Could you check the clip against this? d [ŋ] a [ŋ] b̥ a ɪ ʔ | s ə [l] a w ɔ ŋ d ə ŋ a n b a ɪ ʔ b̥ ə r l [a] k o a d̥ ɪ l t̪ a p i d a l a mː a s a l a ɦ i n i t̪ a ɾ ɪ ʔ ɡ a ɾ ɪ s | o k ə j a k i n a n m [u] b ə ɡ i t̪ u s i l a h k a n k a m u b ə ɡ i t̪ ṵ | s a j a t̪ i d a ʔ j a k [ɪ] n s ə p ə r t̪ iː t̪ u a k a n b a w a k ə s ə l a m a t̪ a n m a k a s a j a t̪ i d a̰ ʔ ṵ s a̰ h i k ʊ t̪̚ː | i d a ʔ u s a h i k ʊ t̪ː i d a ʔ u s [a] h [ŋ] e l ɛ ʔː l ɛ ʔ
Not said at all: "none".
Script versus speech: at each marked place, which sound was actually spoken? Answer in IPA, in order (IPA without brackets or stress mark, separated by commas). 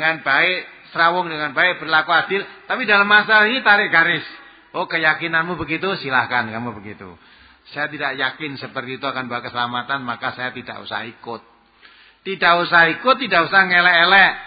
ŋ, n, ɾ, a, u, ɪ, a, ŋ